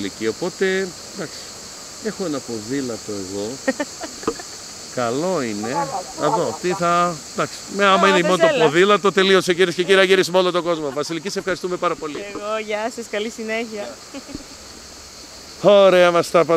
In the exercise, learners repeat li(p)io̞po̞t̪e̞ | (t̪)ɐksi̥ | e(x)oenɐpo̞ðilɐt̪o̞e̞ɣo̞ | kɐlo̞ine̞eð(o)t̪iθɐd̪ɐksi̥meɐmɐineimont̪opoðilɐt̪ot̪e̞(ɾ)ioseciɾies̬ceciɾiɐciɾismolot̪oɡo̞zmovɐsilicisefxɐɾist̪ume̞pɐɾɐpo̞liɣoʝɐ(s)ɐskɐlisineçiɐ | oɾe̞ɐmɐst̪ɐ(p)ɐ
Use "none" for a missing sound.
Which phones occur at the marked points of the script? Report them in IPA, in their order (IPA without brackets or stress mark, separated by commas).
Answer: c, d̪, x, o, l, s, p